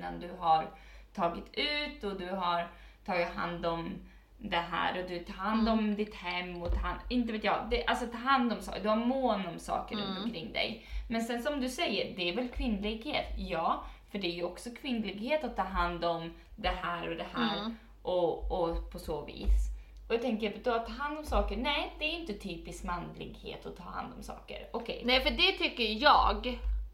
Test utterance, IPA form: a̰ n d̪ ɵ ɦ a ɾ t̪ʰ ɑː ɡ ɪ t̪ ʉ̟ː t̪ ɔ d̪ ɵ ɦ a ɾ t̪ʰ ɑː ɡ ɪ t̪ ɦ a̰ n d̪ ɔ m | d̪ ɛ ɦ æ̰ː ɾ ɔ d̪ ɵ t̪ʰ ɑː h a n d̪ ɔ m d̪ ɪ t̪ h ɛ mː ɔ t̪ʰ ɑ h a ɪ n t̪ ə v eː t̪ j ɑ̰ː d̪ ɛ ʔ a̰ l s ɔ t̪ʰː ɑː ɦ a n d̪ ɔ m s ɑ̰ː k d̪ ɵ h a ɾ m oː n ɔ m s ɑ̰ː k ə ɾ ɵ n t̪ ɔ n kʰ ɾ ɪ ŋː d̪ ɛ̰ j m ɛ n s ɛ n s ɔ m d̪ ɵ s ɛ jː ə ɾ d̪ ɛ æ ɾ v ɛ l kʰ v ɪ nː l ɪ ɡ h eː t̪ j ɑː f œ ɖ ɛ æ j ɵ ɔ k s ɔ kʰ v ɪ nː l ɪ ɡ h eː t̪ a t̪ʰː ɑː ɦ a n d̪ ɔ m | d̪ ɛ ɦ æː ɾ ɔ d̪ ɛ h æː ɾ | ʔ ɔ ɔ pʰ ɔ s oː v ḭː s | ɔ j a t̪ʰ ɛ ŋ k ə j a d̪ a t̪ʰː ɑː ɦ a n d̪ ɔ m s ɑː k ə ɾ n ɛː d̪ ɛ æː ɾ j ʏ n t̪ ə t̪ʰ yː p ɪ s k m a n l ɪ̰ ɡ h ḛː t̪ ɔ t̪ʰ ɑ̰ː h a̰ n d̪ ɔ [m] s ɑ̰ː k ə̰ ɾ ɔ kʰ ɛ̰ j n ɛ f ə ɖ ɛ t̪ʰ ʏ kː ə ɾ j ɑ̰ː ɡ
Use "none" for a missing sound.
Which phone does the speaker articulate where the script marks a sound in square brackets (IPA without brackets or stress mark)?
m